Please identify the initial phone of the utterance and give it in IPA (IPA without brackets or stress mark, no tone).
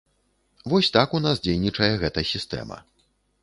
v